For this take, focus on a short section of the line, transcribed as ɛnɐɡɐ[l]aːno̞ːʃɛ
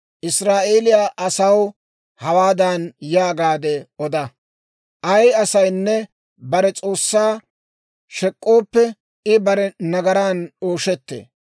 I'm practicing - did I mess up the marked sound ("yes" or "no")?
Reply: yes